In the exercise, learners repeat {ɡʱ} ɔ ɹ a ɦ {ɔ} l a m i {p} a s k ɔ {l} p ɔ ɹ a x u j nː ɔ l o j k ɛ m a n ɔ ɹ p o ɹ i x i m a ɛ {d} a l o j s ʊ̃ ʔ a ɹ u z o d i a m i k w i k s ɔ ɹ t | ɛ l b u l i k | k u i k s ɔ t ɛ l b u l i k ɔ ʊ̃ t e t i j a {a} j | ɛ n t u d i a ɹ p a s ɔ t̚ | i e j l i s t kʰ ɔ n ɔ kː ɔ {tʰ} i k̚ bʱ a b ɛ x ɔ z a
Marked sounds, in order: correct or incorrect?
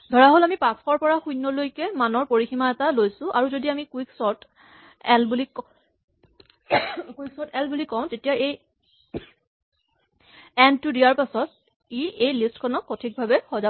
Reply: incorrect: dʱ, incorrect: o, correct, incorrect: ɹ, incorrect: t, incorrect: e, correct

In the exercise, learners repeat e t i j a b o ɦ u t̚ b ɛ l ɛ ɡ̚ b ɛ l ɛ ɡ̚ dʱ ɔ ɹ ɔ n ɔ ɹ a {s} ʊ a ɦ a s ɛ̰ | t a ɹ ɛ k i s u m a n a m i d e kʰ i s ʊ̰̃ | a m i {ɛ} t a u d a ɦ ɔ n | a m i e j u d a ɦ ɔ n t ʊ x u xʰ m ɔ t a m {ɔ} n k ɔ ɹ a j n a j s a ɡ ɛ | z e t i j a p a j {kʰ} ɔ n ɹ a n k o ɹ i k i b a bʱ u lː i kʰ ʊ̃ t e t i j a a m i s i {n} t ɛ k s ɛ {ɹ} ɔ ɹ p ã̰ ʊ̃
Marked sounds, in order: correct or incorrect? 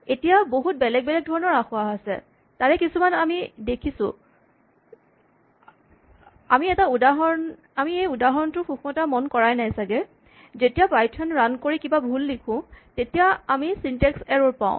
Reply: incorrect: x, correct, correct, incorrect: tʰ, correct, correct

